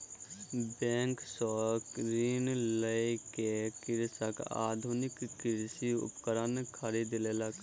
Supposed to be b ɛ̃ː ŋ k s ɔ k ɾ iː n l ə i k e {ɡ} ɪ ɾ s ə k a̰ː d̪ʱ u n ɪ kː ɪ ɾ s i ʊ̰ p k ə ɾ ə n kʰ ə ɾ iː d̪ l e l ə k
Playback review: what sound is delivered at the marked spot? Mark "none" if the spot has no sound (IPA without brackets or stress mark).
k